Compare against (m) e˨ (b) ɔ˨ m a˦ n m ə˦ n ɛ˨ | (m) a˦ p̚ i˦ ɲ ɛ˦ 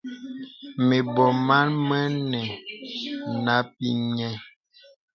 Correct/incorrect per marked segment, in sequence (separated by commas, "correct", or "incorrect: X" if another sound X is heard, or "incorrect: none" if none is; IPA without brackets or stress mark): correct, correct, incorrect: n